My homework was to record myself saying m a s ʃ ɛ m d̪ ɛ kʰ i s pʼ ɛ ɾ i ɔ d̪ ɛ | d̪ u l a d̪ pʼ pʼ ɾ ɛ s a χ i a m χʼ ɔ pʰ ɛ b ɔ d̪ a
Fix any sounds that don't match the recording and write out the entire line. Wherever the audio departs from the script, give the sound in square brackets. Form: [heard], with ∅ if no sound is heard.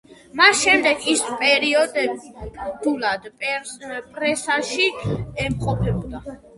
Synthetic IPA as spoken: m a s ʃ ɛ m d̪ ɛ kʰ i s pʼ ɛ ɾ i ɔ d̪ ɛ | d̪ u l a d̪ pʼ pʼ ɾ ɛ s a [ʃ] i [ɛ] m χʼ ɔ pʰ ɛ b ɔ d̪ a